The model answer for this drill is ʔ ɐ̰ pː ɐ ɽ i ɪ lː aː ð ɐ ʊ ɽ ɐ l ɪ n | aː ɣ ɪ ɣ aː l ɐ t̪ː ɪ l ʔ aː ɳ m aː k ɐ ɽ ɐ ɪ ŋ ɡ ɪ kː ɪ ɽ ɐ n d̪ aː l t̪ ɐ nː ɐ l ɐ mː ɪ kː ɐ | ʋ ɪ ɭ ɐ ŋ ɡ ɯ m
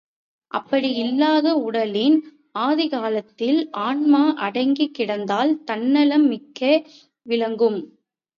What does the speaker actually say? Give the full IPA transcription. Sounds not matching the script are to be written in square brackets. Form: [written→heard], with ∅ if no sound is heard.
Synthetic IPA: ʔ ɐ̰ pː ɐ ɽ i ɪ lː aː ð ɐ ʊ ɽ ɐ l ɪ n | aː [ɣ→ð] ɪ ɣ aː l ɐ t̪ː ɪ l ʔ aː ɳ m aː [k→ʔ] ɐ ɽ ɐ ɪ ŋ ɡ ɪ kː ɪ ɽ ɐ n d̪ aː l t̪ ɐ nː ɐ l ɐ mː ɪ kː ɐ | ʋ ɪ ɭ ɐ ŋ ɡ ɯ m